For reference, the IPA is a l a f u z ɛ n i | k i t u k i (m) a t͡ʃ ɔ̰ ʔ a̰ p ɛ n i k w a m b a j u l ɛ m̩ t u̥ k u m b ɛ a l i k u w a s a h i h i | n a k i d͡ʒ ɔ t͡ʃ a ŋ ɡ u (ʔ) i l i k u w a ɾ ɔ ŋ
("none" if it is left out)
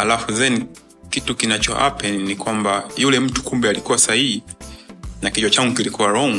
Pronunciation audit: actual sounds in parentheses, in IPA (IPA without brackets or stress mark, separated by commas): n, k